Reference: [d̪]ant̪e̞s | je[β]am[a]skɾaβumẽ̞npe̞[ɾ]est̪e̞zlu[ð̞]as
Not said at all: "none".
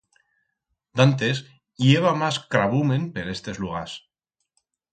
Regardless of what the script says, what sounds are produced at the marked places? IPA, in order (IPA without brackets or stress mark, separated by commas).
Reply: d̪, β, a, ɾ, ɣ̞